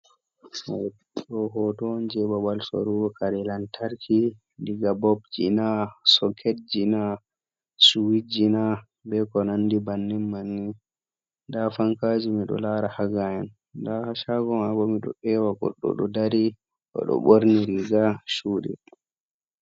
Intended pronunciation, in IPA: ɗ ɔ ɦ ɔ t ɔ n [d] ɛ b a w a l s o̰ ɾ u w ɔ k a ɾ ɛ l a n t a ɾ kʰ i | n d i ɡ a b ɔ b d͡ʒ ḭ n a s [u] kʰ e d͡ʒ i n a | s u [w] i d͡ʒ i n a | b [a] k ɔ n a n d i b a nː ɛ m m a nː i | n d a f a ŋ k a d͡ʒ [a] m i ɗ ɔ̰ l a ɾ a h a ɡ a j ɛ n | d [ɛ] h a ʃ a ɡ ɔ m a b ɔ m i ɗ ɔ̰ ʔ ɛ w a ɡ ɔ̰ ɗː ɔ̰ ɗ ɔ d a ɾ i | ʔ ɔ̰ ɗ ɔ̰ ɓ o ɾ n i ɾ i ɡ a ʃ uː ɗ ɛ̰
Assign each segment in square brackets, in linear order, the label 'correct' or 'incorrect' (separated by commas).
incorrect, incorrect, correct, incorrect, incorrect, incorrect